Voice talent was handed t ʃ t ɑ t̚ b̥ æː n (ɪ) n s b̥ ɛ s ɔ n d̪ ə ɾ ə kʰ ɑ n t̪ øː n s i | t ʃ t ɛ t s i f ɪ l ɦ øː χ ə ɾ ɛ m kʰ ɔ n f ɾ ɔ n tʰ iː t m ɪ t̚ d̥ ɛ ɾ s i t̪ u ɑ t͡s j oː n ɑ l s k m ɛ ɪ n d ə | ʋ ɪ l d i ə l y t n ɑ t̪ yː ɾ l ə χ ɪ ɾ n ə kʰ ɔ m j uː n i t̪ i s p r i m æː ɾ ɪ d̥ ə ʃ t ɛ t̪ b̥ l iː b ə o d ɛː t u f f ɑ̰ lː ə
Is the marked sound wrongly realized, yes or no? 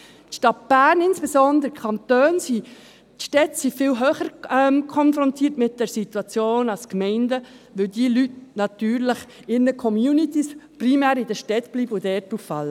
no